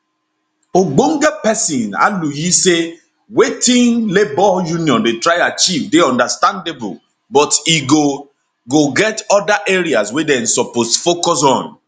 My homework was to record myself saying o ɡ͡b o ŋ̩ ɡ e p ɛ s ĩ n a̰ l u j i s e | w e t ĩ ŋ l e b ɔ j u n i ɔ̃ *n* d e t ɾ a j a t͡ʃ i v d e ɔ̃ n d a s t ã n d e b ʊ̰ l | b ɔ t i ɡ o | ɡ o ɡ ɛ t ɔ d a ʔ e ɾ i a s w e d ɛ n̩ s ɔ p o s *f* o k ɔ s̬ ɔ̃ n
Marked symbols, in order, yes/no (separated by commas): yes, yes